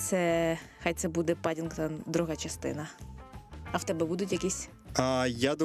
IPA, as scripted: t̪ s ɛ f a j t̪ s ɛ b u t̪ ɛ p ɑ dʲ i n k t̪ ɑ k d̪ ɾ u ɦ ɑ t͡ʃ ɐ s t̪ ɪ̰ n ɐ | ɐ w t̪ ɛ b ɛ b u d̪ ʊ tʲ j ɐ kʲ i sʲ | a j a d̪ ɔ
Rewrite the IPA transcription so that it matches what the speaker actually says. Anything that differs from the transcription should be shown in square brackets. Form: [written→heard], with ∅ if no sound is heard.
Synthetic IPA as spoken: t̪ s ɛ [f→x] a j t̪ s ɛ b u [t̪→d̪] ɛ p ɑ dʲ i n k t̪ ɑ [k→∅] d̪ ɾ u ɦ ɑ t͡ʃ ɐ s t̪ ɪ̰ n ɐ | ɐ w t̪ ɛ b ɛ b u d̪ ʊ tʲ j ɐ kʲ i sʲ | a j a d̪ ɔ